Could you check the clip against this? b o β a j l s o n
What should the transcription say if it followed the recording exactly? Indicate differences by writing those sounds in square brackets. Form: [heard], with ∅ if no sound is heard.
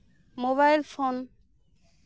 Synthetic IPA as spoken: [m] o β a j l [f] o n